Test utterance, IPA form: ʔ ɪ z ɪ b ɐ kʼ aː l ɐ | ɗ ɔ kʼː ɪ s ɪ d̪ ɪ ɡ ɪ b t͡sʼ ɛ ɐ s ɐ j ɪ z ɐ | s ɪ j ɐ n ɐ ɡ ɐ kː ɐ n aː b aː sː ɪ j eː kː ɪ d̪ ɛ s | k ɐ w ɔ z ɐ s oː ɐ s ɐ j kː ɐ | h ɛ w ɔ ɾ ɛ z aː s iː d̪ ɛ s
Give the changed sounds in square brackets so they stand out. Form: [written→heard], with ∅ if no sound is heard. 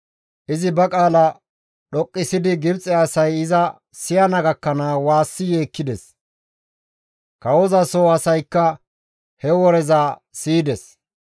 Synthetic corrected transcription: ʔ ɪ z ɪ b ɐ kʼ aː l ɐ | ɗ ɔ kʼː ɪ s ɪ d̪ ɪ ɡ ɪ b t͡sʼ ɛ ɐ s ɐ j ɪ z ɐ | s ɪ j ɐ n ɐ ɡ ɐ kː ɐ n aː [b→w] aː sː ɪ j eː kː ɪ d̪ ɛ s | k ɐ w ɔ z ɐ s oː ɐ s ɐ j kː ɐ | h ɛ w ɔ ɾ ɛ z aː s iː d̪ ɛ s